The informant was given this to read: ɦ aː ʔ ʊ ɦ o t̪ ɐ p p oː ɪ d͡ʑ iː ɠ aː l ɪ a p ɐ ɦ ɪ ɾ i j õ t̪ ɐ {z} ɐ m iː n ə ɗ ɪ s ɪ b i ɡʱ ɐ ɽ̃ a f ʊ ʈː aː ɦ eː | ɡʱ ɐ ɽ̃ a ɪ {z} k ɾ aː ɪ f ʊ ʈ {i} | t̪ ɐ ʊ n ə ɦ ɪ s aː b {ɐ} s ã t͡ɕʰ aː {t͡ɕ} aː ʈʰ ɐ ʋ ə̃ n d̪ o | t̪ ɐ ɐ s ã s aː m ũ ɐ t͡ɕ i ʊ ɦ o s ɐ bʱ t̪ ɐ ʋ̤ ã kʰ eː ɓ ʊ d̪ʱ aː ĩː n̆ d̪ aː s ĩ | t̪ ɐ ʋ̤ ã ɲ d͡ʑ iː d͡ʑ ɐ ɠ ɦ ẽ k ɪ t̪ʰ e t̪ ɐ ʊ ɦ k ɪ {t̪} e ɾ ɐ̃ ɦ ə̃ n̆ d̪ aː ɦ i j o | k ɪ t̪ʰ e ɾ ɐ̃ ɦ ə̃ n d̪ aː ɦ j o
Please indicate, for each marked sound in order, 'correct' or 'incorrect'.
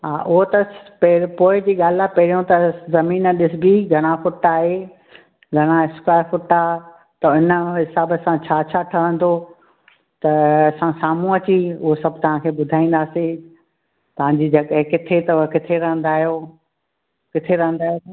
correct, incorrect: s, incorrect: a, incorrect: ə, incorrect: t͡ɕʰ, incorrect: t̪ʰ

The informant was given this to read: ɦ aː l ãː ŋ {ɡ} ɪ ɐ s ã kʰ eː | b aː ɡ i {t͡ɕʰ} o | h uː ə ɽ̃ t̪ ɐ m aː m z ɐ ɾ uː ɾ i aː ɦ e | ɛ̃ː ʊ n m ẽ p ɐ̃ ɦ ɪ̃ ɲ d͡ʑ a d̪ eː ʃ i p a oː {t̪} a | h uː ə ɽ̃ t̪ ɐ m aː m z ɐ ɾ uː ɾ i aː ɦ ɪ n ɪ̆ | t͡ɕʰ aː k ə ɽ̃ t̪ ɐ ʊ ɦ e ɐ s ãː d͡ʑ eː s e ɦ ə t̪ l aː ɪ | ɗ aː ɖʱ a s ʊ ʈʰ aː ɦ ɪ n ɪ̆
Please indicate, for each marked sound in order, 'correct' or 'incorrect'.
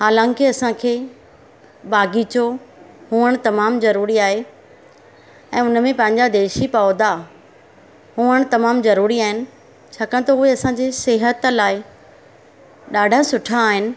incorrect: k, incorrect: t͡ɕ, incorrect: d̪

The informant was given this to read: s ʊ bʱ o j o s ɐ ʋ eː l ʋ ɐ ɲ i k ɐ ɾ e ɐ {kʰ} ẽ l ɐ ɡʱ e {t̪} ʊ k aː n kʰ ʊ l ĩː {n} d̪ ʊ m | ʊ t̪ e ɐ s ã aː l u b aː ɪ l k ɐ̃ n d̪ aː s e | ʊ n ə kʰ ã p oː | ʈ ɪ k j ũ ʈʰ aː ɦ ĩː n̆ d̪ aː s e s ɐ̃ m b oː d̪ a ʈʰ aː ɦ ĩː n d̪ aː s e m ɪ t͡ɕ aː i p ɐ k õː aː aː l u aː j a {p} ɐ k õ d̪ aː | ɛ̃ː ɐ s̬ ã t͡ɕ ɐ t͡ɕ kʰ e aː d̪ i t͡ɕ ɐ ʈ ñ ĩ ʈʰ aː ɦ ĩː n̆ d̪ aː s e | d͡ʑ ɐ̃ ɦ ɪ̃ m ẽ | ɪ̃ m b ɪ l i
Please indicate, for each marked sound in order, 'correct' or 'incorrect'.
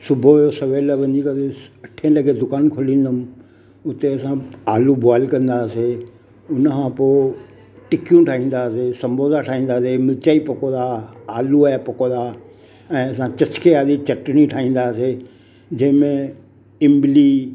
incorrect: ʈʰ, incorrect: d̪, correct, correct

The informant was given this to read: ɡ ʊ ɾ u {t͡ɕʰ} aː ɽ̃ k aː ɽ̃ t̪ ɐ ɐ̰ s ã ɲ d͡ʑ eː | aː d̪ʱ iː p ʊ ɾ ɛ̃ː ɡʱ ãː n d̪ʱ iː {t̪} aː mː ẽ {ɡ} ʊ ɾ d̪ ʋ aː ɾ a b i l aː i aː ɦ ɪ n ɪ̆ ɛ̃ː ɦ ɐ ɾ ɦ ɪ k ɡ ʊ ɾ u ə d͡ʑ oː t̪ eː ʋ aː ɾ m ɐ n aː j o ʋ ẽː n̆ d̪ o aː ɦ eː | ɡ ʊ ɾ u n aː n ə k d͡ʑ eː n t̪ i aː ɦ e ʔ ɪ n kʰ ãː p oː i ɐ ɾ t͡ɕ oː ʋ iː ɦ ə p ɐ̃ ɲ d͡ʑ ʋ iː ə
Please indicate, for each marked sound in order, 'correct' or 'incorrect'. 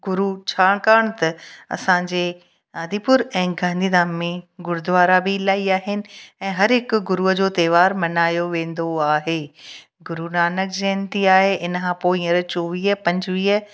correct, incorrect: d̪, correct

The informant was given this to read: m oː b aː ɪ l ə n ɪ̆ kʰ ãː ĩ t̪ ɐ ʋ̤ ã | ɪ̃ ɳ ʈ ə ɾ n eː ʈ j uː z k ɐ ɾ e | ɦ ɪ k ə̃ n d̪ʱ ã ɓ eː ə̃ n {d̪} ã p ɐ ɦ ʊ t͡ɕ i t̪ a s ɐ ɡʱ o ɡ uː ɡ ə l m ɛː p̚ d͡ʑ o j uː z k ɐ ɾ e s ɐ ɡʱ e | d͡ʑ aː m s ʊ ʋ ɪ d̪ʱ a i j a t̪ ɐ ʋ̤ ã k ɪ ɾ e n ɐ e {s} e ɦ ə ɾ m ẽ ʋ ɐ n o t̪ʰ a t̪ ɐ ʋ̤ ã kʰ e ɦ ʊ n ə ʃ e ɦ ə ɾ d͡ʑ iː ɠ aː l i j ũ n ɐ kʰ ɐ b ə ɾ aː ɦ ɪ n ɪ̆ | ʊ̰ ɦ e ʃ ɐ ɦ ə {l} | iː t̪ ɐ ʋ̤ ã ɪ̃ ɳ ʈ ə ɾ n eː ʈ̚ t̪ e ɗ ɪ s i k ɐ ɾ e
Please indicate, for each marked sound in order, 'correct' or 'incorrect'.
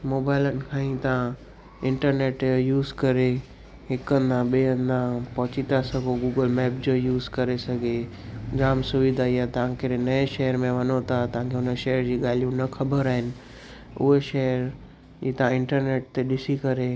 correct, incorrect: ʃ, incorrect: ɾ

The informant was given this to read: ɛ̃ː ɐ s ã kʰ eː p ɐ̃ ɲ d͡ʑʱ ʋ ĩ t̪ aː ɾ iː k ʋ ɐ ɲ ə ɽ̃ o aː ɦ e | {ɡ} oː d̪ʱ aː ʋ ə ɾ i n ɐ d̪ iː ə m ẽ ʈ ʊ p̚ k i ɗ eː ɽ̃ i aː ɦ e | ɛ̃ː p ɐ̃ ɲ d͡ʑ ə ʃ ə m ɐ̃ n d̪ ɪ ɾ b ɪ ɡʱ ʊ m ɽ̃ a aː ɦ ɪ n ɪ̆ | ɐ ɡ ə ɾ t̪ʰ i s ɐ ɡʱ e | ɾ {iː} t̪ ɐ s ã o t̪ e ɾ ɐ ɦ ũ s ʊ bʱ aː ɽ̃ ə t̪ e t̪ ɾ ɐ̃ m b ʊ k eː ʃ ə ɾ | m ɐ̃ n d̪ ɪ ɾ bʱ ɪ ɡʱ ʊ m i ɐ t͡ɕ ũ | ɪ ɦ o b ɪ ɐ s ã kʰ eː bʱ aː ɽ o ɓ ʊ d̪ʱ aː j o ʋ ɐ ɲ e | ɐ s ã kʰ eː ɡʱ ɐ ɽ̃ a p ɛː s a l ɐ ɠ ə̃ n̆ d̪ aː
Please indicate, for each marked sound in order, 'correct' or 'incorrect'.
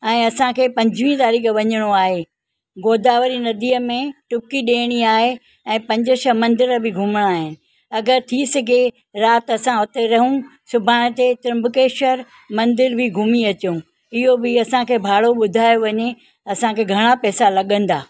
correct, incorrect: aː

